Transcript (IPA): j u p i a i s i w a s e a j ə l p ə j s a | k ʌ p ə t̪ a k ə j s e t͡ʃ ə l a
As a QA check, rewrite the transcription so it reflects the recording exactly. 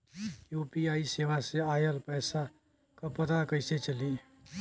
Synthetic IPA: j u p i a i s e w a s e a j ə l p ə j s a | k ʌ p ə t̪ a k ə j s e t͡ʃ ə l i